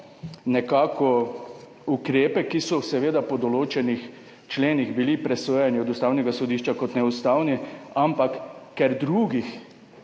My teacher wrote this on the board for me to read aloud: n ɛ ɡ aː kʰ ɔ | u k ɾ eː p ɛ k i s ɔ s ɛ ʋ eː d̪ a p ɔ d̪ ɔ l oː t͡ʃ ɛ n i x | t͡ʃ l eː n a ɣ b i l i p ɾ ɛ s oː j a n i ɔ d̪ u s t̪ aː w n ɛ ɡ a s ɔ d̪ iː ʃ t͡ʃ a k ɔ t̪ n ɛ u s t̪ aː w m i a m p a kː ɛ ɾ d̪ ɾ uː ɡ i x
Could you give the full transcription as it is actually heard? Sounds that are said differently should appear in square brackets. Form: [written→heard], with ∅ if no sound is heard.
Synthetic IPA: n ɛ [ɡ→k] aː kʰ ɔ | u k ɾ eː p ɛ k i s ɔ s ɛ ʋ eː d̪ a p ɔ d̪ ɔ l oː t͡ʃ ɛ n i x | t͡ʃ l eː n [a→i] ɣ b i l i p ɾ ɛ s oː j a n i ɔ d̪ u s t̪ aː w n ɛ ɡ a s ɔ d̪ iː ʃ t͡ʃ a k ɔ t̪ n ɛ u s t̪ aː w [m→n] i a m p a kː ɛ ɾ d̪ ɾ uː ɡ i x